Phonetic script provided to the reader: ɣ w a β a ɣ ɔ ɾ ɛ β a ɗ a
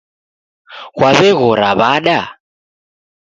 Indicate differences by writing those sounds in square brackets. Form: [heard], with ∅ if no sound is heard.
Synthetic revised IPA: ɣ w a β [ɛ] ɣ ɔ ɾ [a] β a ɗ a